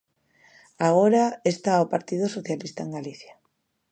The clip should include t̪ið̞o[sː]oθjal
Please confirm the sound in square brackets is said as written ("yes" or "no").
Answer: no